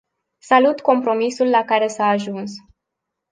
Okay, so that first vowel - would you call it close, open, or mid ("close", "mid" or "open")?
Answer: open